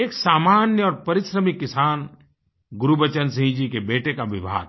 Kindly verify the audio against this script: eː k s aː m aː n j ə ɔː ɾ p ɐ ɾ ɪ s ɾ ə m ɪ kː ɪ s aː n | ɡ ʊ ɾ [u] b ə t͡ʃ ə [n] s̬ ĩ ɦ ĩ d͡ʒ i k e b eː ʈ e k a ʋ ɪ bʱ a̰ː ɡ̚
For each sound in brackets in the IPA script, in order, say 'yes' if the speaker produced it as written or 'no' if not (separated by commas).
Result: yes, yes